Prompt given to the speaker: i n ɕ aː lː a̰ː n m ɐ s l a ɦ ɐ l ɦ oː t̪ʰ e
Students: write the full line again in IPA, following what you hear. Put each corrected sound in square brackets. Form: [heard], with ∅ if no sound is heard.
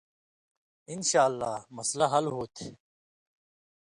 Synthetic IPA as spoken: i n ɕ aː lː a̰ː [∅] m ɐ s l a ɦ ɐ l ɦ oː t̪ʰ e